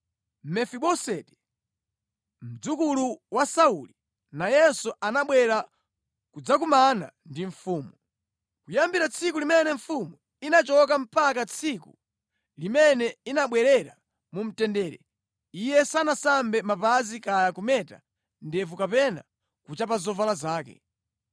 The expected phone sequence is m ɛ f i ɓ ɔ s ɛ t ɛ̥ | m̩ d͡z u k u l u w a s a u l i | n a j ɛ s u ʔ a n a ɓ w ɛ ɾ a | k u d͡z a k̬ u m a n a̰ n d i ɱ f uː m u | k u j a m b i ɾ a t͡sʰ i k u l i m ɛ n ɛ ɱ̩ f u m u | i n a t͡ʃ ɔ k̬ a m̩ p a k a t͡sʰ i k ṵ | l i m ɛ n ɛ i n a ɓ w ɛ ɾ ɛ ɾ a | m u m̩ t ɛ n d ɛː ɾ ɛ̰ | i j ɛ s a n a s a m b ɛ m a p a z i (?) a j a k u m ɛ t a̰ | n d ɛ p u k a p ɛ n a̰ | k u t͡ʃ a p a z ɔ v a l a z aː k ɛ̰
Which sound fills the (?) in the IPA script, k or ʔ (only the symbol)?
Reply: k